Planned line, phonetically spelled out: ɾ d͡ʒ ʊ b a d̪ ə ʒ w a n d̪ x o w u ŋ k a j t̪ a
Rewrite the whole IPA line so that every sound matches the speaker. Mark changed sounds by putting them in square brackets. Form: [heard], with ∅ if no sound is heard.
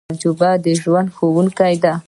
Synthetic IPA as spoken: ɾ d͡ʒ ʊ b a d̪ ə ʒ w a n d̪ x o w u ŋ k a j [d̪] a